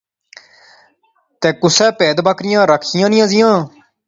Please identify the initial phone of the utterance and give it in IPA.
t̪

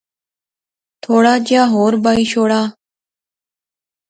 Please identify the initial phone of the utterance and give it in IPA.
t̪ʰ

